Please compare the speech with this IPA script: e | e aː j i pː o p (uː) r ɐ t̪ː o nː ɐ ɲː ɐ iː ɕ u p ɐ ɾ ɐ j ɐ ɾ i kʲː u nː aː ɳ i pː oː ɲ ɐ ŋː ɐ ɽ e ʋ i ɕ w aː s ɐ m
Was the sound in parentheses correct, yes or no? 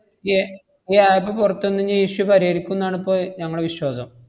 no